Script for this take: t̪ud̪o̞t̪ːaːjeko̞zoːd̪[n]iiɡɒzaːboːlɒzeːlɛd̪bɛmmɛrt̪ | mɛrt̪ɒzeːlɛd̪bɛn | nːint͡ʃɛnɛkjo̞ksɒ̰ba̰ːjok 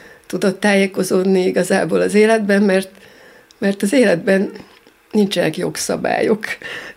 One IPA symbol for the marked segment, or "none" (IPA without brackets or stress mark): n